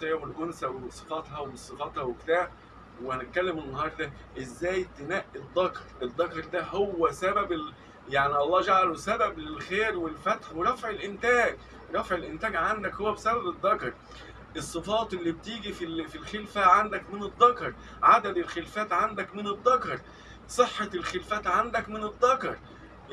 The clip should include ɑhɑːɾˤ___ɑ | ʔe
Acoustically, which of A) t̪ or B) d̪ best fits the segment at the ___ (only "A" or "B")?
B